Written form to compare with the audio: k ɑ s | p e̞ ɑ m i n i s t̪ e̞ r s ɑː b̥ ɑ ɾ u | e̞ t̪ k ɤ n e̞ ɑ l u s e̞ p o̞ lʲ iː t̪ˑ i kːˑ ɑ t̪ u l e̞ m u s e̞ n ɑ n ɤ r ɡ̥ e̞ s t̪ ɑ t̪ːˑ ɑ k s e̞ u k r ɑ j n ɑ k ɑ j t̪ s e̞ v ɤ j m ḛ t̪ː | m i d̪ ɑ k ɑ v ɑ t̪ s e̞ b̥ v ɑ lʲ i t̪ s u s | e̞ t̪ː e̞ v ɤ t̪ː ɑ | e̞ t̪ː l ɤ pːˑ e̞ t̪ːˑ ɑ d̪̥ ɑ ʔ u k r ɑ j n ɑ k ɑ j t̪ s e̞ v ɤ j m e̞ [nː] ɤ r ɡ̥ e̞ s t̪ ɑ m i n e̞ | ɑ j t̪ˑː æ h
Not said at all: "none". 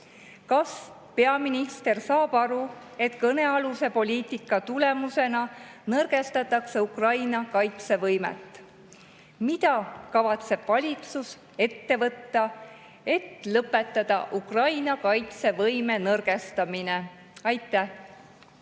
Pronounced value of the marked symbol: n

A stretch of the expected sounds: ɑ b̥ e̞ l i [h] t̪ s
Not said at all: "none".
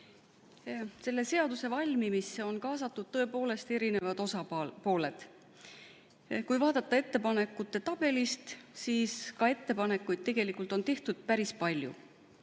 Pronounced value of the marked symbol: s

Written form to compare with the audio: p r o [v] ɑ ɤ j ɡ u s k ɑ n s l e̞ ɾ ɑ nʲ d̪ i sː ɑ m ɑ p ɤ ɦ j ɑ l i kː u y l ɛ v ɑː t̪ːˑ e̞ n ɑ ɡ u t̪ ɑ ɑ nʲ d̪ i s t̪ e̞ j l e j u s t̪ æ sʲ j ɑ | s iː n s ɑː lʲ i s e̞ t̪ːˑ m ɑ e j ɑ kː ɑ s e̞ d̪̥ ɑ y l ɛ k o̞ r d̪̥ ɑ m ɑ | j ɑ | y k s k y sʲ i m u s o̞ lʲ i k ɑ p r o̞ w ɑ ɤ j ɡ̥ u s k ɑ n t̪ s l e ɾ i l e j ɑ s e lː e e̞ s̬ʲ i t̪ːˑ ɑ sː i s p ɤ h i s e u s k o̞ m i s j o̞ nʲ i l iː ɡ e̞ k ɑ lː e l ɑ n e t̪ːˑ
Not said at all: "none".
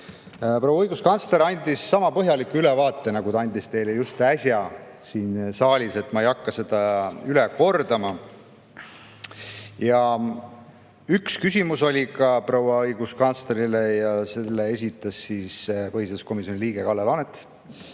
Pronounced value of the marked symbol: w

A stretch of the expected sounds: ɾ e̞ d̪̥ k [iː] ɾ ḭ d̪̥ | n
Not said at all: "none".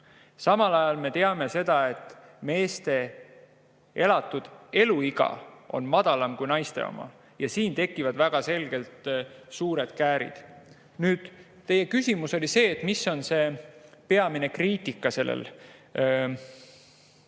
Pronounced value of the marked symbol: æː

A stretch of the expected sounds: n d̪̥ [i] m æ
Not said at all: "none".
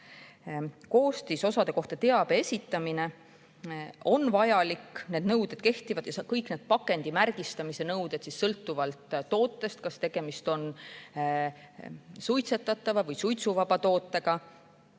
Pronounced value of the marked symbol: i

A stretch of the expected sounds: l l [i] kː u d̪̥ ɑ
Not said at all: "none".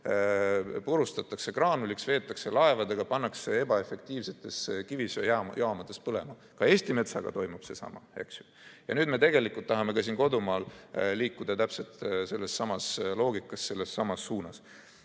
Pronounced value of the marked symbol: iː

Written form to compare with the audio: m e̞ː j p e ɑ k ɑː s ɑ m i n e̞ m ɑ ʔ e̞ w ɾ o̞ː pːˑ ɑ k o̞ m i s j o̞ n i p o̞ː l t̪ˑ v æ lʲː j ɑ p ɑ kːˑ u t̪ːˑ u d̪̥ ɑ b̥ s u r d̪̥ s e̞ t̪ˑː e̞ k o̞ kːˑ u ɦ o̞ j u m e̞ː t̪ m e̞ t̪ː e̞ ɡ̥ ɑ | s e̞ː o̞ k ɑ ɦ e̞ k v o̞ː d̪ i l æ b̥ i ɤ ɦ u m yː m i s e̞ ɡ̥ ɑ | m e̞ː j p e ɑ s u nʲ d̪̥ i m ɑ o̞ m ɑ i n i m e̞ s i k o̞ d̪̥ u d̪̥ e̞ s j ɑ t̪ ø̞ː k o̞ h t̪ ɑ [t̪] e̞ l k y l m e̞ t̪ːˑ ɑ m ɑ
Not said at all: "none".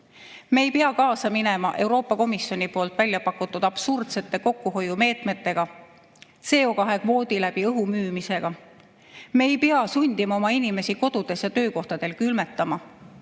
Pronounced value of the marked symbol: d̪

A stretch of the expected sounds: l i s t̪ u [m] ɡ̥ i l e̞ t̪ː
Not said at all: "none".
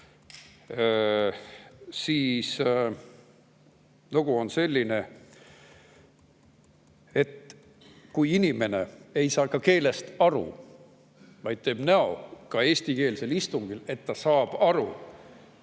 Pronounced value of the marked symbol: ŋ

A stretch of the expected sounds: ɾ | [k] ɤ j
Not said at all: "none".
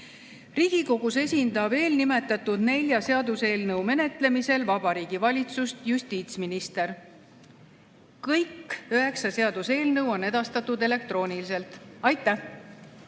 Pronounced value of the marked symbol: k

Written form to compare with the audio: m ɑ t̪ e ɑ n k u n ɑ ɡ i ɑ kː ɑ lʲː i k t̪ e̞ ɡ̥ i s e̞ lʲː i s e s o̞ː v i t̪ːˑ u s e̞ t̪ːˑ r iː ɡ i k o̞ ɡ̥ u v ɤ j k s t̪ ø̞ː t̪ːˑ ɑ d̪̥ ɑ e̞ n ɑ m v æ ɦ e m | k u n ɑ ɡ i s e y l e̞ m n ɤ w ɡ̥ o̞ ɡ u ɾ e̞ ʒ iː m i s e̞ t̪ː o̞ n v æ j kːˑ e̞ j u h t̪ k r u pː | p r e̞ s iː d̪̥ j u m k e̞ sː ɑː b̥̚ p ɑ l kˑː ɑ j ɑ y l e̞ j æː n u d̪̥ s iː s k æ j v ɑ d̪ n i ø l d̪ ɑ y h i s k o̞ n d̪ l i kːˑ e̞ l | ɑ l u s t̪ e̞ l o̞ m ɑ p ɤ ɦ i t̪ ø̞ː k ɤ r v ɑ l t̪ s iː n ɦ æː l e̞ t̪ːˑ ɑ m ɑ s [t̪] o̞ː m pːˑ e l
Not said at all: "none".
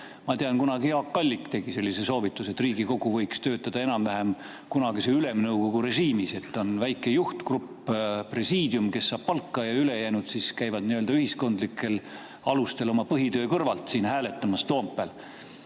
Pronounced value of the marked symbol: t̪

